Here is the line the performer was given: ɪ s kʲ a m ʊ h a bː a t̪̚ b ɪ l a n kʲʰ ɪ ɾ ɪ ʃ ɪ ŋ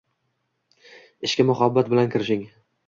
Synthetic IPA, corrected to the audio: ɪ ʃ kʲ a m ʊ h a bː a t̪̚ b ɪ l a n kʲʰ ɪ ɾ ɪ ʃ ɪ ŋ